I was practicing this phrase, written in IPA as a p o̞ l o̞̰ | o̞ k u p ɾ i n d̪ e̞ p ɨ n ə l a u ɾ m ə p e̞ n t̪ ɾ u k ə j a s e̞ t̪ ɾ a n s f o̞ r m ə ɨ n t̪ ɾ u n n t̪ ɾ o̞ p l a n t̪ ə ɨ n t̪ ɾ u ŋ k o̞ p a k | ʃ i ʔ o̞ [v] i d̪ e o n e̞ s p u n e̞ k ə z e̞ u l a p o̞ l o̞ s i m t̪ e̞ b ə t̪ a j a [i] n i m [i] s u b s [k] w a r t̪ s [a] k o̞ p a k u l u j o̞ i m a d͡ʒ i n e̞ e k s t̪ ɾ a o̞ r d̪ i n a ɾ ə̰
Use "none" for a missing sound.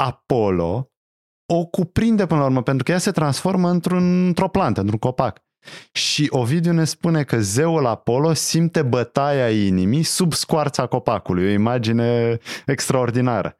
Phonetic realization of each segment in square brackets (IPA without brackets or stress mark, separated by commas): v, i, i, k, a